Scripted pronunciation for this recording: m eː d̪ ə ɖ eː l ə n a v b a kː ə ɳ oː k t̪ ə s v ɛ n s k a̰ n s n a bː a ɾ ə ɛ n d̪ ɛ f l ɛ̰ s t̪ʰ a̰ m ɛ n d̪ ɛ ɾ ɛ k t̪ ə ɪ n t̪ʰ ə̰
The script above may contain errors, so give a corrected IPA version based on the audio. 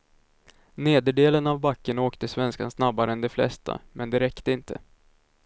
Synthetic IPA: n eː d̪ ə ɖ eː l ə n a v b a kː ə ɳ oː k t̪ ə s v ɛ n s k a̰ n s n a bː a ɾ ə ɛ n d̪ ɛ f l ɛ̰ s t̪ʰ a̰ m ɛ n d̪ ɛ ɾ ɛ k t̪ ə ɪ n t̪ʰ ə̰